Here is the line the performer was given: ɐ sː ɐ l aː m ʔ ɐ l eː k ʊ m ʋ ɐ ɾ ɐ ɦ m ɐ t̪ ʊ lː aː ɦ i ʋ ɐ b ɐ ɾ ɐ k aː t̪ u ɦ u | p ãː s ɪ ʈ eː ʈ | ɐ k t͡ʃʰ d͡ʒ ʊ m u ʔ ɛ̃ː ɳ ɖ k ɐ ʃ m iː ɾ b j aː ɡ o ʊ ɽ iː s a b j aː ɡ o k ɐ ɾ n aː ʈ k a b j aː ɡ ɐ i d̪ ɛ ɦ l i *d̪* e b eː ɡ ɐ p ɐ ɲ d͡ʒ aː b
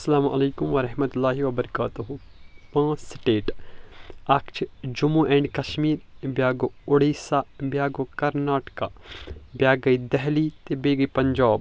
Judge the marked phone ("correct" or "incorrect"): incorrect